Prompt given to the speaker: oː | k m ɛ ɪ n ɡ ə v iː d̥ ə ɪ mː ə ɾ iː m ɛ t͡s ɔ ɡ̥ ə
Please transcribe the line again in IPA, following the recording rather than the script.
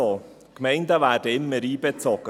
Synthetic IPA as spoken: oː | k m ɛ ɪ n d ə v æː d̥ ə ɪ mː ə ɾ iː b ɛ t͡s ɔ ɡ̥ ə